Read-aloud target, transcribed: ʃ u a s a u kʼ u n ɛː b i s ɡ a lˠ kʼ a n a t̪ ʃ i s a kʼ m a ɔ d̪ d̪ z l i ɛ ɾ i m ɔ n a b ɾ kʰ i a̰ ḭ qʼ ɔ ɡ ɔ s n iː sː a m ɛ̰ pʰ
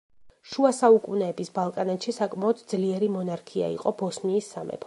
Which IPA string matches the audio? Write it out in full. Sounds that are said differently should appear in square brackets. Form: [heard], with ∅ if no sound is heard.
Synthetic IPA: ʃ u a s a u kʼ u n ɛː b i s [b] a lˠ kʼ a n a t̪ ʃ i s a kʼ m a ɔ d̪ d̪ z l i ɛ ɾ i m ɔ n a [∅] ɾ kʰ i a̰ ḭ qʼ ɔ [b] ɔ s n iː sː a m ɛ̰ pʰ